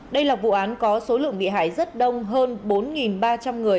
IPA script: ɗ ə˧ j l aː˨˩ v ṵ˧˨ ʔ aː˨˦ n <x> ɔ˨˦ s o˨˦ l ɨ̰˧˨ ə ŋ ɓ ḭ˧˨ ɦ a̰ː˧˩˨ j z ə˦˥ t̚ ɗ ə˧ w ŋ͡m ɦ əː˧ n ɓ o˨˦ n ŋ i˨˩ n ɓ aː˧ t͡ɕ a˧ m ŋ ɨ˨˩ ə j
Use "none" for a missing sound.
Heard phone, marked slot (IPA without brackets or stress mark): k